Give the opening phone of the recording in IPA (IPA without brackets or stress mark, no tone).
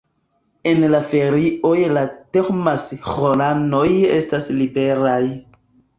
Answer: e̞